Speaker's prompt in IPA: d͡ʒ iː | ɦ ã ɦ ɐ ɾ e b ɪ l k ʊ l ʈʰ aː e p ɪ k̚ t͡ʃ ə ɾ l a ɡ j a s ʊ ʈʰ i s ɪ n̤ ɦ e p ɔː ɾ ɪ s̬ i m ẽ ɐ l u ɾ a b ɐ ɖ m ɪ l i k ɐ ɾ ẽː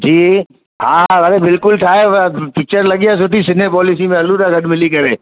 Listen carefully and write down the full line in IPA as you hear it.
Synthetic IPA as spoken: d͡ʒ iː | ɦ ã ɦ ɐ ɾ e b ɪ l k ʊ l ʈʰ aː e p ɪ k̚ t͡ʃ ə ɾ l ɐ ɡ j a s ʊ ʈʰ i s ɪ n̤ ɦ e p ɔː l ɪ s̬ i m ẽ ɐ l u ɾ a ɡ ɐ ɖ m ɪ l i k ɐ ɾ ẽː